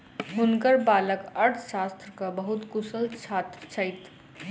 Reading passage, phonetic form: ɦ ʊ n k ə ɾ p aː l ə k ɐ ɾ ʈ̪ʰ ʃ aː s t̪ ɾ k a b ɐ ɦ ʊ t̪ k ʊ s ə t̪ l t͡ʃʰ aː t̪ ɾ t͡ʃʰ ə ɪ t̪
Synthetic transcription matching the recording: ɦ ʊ n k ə ɾ b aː l ə k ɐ ɾ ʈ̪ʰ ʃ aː s t̪ ɾ k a b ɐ ɦ ʊ t̪ k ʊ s ə l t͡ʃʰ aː t̪ ɾ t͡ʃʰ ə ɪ t̪